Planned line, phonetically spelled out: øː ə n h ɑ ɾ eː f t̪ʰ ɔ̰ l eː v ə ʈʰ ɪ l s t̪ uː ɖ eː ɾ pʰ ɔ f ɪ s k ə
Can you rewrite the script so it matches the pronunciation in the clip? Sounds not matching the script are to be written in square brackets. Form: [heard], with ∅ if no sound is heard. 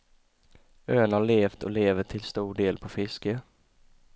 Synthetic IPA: øː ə n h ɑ [ɭ] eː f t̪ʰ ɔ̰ l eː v ə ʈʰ ɪ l s t̪ uː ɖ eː [l] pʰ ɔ f ɪ s k ə